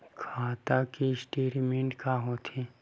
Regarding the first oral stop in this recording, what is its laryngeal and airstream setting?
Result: aspirated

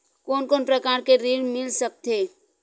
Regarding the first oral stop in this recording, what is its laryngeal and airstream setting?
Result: plain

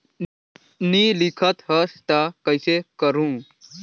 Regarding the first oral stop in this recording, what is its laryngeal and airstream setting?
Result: aspirated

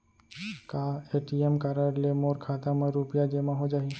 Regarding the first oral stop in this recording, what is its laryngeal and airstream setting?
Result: plain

